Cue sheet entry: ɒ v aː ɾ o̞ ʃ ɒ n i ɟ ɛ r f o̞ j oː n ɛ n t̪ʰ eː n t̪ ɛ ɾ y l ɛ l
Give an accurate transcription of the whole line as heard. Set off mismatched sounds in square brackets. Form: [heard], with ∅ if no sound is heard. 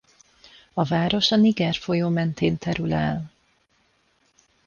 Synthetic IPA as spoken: ɒ v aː ɾ o̞ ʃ ɒ n i [ɡ] ɛ r f o̞ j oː [m] ɛ n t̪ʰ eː n t̪ ɛ ɾ y l ɛ l